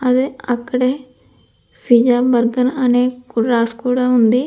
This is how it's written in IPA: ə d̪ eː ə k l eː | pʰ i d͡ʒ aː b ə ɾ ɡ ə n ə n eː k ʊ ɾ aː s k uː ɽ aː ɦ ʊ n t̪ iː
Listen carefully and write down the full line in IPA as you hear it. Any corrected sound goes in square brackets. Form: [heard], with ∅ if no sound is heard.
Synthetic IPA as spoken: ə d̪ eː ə k [ɽ] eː | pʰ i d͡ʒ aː b ə ɾ ɡ ə n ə n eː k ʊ ɾ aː s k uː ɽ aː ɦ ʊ n [d̪] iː